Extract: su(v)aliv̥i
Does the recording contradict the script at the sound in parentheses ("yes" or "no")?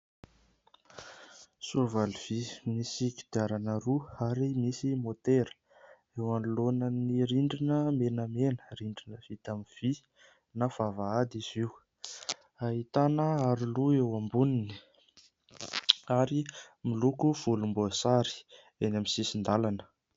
no